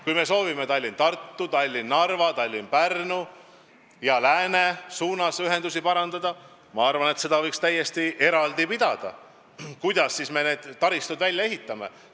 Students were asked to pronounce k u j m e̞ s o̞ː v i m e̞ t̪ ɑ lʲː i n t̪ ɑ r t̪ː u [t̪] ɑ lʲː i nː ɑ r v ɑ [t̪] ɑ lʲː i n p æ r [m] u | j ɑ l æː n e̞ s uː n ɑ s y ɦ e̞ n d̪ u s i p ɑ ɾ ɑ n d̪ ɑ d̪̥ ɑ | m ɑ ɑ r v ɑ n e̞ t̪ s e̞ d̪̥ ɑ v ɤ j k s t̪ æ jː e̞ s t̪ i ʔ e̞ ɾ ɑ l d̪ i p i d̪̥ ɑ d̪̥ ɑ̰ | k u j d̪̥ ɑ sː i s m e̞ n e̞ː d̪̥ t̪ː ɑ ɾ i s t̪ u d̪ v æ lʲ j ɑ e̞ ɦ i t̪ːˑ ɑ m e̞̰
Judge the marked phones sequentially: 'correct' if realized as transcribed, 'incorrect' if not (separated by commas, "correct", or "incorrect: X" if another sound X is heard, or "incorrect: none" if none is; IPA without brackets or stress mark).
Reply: correct, correct, incorrect: n